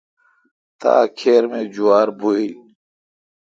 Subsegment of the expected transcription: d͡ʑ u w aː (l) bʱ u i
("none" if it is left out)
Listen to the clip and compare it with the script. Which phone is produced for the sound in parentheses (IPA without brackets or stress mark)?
ɾ